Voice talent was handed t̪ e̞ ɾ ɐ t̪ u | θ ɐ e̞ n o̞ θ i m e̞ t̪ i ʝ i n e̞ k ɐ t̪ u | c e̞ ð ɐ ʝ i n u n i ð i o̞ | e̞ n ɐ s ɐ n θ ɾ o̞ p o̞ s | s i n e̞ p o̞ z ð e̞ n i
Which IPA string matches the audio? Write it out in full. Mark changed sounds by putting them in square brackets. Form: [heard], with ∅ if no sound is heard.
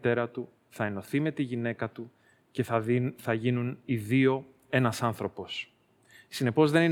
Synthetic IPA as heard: t̪ e̞ ɾ ɐ t̪ u | θ ɐ e̞ n o̞ θ i m e̞ t̪ i ʝ i n e̞ k ɐ t̪ u | c e̞ [θ] ɐ ʝ i n u n i ð i o̞ | e̞ n ɐ s ɐ n θ ɾ o̞ p o̞ s | s i n e̞ p o̞ z ð e̞ n i